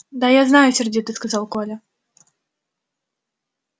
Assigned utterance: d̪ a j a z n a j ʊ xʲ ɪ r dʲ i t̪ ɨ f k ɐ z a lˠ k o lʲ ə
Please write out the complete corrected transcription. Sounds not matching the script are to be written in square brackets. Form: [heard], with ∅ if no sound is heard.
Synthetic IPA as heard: d̪ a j a z n a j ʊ [sʲ] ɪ r dʲ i t̪ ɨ [s] k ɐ z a lˠ k o lʲ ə